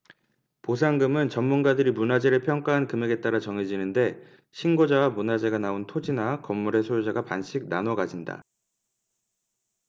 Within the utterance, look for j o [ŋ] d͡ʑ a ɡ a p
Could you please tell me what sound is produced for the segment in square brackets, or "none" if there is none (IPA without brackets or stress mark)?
none